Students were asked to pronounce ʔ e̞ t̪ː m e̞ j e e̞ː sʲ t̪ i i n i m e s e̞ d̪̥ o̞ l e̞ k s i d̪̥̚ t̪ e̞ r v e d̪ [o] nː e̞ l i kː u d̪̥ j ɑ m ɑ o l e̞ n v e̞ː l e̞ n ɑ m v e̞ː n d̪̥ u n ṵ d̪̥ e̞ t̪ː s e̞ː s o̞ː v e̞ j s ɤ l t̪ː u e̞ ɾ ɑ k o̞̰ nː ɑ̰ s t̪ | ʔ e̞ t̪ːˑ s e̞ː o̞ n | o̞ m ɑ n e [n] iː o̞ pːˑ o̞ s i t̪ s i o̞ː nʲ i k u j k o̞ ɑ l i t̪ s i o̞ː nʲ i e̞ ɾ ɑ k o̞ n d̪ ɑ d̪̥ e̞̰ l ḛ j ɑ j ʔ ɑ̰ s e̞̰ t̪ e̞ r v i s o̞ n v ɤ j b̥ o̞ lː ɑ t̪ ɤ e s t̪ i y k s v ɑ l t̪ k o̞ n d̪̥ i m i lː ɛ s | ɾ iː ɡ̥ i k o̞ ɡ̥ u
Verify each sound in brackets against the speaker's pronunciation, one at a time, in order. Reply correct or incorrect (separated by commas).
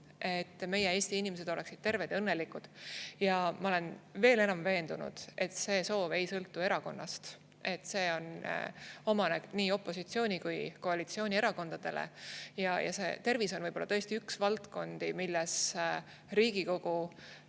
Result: incorrect, correct